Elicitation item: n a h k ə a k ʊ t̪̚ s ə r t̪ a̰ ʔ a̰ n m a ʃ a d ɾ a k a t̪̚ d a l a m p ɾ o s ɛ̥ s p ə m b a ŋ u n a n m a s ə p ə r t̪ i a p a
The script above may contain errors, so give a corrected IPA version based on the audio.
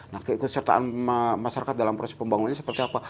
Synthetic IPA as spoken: n a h k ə i k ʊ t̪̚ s ə r t̪ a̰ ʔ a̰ n m a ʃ a ɾ a k a t̪̚ d a l a m p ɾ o s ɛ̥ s p ə m b a ŋ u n a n ɲ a s ə p ə r t̪ i a p a